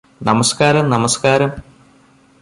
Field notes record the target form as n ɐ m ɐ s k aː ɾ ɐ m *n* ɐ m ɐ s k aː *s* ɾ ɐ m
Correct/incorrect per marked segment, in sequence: correct, incorrect: none

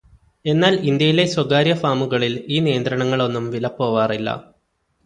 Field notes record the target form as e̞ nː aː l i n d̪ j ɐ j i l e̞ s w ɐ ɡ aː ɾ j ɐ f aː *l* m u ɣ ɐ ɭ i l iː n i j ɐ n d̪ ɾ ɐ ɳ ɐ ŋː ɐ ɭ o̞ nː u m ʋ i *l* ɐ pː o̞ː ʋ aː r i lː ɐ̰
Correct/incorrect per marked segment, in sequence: incorrect: none, correct

